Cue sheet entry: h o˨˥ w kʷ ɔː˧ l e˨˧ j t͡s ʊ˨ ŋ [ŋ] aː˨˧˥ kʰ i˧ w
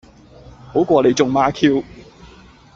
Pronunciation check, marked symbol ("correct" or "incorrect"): incorrect